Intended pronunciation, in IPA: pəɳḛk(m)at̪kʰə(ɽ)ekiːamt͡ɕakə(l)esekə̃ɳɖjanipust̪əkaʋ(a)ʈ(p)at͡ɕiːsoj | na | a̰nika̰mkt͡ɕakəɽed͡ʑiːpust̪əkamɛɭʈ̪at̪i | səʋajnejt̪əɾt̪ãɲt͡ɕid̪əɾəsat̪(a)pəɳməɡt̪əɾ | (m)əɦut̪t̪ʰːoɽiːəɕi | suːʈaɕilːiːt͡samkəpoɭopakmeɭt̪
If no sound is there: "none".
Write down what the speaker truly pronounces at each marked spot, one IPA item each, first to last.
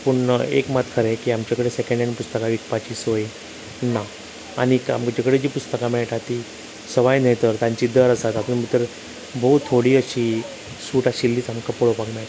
m, ɾ, ɽ, i, p, a, b

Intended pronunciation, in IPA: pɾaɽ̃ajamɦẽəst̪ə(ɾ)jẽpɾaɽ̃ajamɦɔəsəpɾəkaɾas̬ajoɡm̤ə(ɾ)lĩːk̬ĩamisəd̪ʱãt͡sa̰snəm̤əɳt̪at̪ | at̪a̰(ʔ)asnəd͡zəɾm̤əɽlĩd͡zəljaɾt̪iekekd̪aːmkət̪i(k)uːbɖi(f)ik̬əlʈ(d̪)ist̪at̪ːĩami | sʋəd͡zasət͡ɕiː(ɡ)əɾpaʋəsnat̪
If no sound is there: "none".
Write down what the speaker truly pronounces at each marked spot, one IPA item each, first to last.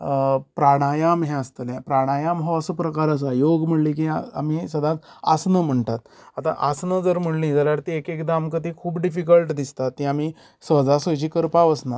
l, ɽ, ʔ, kʰ, f, d̪, k

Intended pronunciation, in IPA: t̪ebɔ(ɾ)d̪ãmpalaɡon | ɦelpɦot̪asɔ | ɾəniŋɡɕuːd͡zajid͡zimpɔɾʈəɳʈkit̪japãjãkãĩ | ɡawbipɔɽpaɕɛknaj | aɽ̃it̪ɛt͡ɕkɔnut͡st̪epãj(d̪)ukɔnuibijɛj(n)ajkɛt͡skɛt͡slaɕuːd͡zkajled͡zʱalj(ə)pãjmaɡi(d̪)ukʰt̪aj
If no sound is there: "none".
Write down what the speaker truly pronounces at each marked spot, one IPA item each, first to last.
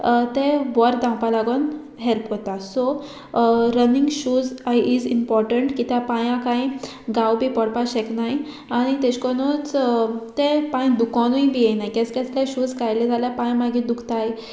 ɾ, d̪, n, a, d̪

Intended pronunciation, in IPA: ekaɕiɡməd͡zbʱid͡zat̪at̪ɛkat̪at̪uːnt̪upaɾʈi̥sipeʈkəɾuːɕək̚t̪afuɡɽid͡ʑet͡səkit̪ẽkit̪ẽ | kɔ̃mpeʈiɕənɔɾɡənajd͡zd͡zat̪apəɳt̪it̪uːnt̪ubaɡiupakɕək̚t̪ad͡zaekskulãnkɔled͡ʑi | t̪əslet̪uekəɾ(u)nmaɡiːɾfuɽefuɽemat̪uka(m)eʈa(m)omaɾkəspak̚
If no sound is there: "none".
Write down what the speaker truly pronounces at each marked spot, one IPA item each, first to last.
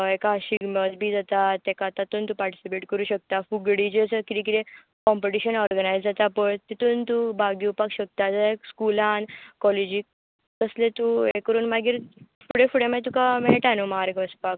uː, m, n

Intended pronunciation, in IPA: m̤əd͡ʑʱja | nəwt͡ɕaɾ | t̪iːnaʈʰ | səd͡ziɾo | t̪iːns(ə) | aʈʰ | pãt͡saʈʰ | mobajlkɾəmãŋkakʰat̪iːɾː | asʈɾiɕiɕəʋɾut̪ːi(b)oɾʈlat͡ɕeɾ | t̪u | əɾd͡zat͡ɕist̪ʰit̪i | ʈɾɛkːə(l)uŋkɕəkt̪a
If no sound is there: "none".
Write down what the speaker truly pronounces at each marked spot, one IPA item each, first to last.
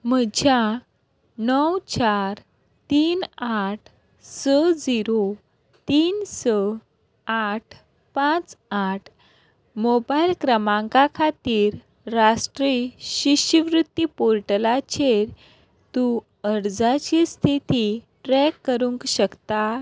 ə, p, ɾ

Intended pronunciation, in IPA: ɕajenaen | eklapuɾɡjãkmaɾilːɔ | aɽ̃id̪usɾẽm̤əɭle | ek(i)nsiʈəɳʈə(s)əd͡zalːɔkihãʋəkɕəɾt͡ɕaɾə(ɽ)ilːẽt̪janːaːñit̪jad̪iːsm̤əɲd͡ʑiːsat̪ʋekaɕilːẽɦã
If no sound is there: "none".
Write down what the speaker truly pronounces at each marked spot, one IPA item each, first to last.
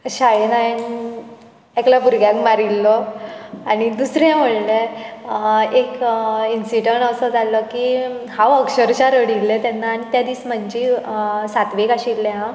i, s, ɽ

